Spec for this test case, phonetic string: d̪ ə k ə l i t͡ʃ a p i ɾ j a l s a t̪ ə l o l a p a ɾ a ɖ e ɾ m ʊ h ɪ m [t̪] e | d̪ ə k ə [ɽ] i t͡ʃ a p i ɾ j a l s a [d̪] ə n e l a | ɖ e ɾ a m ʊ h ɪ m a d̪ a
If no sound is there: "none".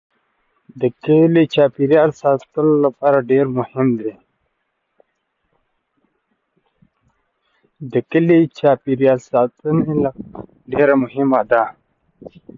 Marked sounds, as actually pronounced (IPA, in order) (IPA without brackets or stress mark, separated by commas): d̪, l, t̪